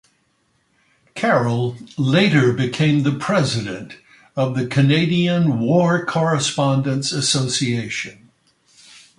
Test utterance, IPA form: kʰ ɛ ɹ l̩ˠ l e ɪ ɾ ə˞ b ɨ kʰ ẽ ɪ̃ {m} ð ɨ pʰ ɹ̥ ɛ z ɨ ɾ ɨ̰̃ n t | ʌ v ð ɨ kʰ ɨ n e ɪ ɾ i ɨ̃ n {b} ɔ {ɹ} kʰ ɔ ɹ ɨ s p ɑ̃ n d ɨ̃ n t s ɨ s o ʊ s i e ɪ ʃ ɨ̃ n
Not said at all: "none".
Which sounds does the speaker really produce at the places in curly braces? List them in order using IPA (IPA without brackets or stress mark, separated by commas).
m, w, ɹ